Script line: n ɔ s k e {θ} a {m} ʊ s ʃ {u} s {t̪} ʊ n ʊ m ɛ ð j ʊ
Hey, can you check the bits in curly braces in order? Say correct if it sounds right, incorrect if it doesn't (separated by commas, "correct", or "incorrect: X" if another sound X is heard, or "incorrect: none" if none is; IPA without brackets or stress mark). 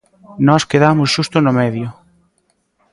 incorrect: ð, correct, correct, correct